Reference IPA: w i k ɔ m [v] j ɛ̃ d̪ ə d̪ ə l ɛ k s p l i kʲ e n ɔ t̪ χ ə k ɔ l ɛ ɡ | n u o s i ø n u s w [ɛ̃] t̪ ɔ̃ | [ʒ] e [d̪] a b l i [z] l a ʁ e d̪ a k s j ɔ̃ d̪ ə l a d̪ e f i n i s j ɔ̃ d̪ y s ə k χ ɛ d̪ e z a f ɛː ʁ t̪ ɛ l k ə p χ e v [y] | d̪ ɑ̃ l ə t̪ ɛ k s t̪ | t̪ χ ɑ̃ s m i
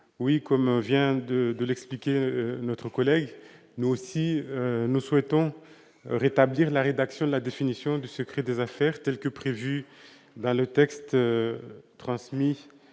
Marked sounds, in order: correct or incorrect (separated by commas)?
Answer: correct, incorrect, incorrect, incorrect, incorrect, correct